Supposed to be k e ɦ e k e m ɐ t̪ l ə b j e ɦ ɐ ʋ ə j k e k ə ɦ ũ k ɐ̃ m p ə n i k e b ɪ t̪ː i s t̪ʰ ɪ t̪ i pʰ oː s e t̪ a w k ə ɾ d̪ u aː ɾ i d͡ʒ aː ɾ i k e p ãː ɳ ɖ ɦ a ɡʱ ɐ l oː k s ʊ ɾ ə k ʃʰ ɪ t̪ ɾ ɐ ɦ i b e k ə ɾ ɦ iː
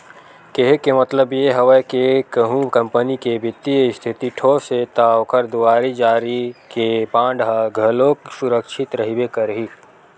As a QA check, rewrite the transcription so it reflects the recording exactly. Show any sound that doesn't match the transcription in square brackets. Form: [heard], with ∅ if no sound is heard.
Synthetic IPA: k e ɦ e k e m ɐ t̪ l ə b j e ɦ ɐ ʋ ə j k e k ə ɦ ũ k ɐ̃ m p ə n i k e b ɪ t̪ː i s t̪ʰ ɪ t̪ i [ʈʰ] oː s e t̪ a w k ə ɾ d̪ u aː ɾ i d͡ʒ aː ɾ i k e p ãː ɳ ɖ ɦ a ɡʱ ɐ l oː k s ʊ ɾ ə k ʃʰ ɪ t̪ ɾ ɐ ɦ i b e k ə ɾ ɦ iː